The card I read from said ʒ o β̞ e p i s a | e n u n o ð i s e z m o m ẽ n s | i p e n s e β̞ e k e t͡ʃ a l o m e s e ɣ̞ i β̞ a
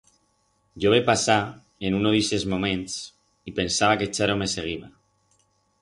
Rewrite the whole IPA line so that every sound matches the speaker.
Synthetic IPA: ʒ o β̞ e p a s a | e n u n o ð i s e z m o m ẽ n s | i p e n s a β̞ a k e t͡ʃ a ɾ o m e s e ɣ̞ i β̞ a